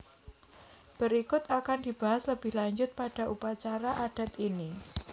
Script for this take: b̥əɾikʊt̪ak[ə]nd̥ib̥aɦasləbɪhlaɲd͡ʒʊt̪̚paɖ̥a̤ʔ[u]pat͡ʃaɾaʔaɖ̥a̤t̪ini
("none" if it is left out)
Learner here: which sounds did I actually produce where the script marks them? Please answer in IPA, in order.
a, u

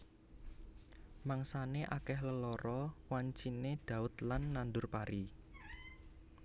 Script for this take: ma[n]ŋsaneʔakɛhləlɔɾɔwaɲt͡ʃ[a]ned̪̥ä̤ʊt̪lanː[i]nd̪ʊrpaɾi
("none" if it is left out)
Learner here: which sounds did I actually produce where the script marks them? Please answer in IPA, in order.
none, i, a

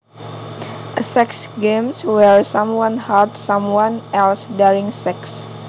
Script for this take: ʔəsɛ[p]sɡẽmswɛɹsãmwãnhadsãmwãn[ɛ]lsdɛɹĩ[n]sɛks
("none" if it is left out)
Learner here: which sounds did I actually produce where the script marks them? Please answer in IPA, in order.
k, ɛ, ŋ

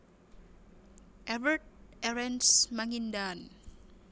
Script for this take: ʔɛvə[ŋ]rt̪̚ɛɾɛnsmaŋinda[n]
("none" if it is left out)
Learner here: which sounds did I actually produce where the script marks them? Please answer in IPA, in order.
none, n

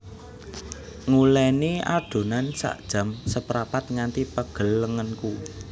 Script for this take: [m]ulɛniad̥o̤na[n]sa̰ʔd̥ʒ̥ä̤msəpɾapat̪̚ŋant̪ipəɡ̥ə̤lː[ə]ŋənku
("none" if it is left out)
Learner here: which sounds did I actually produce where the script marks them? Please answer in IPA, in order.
ŋ, n, ə

